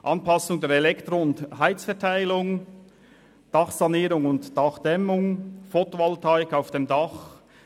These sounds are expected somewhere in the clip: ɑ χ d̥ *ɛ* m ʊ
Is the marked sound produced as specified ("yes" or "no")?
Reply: yes